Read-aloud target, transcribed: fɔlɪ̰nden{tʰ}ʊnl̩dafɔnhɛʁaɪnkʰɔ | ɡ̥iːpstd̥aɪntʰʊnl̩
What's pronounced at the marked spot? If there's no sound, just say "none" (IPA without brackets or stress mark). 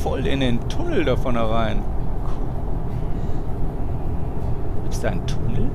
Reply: tʰ